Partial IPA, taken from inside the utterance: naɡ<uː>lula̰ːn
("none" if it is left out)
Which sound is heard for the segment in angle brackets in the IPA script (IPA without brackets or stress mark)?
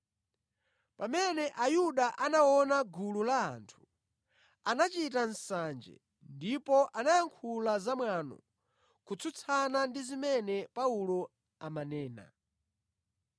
u